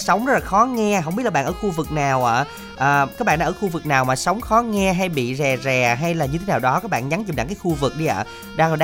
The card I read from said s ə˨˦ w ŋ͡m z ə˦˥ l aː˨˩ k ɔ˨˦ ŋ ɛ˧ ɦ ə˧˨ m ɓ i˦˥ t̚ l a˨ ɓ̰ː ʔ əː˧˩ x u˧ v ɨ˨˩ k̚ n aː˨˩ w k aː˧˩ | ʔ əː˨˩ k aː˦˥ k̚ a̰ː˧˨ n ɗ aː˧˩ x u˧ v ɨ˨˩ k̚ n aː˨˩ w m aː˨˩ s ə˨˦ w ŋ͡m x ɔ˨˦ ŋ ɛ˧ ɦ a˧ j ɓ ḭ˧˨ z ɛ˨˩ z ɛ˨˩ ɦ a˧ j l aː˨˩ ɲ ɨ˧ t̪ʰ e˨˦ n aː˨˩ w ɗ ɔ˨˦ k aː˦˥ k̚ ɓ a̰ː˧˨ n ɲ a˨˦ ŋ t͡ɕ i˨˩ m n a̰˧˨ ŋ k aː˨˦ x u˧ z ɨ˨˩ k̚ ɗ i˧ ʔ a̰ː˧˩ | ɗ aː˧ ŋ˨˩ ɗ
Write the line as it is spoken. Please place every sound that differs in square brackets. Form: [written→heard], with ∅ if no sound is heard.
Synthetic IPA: s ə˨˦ w ŋ͡m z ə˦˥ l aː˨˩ [k→x] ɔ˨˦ ŋ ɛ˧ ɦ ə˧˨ [m→ŋ͡m] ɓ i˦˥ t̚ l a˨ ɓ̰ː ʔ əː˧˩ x u˧ v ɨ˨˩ k̚ n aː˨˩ w [k→ʔ] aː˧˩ | ʔ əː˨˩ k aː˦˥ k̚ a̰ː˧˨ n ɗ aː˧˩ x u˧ v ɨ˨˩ k̚ n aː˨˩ w m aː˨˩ s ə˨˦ w ŋ͡m x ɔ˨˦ ŋ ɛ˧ ɦ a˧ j ɓ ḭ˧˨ z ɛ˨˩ z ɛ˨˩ ɦ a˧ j l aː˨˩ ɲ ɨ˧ t̪ʰ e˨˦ n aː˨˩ w ɗ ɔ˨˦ k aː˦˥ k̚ ɓ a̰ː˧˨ n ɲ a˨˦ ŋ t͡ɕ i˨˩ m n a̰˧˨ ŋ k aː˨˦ x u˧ [z→v] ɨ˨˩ k̚ ɗ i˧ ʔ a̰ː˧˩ | ɗ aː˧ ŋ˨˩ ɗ